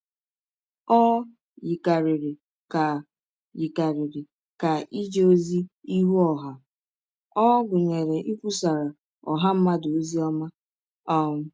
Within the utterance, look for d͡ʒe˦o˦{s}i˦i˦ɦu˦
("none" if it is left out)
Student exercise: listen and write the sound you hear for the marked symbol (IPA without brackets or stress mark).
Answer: z